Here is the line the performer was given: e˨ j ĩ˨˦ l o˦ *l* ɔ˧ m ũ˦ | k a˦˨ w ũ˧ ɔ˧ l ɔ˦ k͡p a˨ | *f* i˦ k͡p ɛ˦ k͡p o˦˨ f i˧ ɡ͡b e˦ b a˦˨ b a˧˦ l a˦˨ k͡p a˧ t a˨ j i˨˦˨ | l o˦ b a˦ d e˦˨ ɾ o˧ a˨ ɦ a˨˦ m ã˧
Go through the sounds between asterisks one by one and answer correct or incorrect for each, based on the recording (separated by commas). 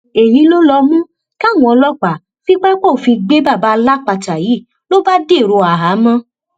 correct, correct